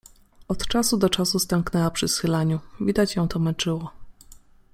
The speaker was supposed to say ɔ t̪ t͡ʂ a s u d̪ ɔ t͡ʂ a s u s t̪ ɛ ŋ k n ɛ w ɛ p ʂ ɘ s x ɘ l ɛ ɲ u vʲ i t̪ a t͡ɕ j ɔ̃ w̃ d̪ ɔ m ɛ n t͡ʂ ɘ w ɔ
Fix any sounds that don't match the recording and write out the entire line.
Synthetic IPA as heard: ɔ t̪ t͡ʂ a s u d̪ ɔ t͡ʂ a s u s t̪ ɛ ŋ k n ɛ w a p ʂ ɘ s x ɘ l a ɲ u vʲ i d̪ a t͡ɕ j ɔ̃ w̃ t̪ ɔ m ɛ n t͡ʂ ɘ w ɔ